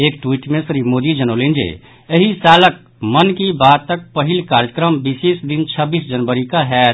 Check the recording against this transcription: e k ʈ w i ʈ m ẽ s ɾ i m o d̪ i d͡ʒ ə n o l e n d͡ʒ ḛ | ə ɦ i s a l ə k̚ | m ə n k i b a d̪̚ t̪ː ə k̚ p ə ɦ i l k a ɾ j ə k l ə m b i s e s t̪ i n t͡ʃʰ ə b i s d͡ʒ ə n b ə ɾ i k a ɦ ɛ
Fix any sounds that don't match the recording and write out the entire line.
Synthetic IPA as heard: e k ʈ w i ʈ m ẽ s ɾ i m o d̪ i d͡ʒ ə n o l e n d͡ʒ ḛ | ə ɦ i s a l ə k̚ | m ə n k i b a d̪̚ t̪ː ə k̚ p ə ɦ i l k a ɾ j ə k ɾ ə m b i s e s d̪ i n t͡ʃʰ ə b i s d͡ʒ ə n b ə ɾ i k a ɦ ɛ